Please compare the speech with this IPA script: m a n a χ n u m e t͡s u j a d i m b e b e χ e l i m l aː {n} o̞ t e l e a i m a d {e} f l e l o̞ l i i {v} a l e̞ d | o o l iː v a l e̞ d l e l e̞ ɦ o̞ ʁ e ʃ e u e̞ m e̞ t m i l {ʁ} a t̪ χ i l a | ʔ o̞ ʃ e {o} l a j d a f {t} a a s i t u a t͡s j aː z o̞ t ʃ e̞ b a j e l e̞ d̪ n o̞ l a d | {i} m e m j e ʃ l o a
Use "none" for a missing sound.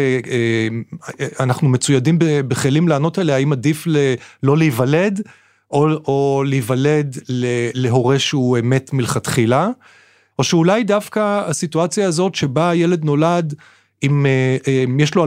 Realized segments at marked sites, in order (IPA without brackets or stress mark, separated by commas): n, i, v, χ, u, k, i